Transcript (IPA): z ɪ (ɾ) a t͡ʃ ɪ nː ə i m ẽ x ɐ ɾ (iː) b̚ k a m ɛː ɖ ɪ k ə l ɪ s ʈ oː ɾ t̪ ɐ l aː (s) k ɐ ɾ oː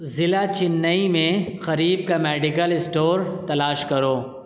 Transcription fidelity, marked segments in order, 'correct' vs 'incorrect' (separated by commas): incorrect, correct, incorrect